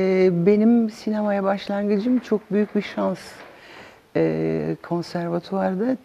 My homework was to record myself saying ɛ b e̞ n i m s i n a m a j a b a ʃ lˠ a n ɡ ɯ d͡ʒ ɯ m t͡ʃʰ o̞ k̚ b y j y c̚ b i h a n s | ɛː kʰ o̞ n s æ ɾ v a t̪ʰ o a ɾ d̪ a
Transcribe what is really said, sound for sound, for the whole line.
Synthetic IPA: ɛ b e̞ n i m s i n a m a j a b a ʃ lˠ a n ɡ ɯ d͡ʒ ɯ m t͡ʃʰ o̞ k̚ b y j y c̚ b i ʃ a n s | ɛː kʰ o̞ n s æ ɾ v a t̪ʰ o a ɾ d̪ a